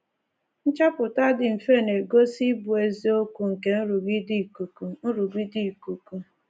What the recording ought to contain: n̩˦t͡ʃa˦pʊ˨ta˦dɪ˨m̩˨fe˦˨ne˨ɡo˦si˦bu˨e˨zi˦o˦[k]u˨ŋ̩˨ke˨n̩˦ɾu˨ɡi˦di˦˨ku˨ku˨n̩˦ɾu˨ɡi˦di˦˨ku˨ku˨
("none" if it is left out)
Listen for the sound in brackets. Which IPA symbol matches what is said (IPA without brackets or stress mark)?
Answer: k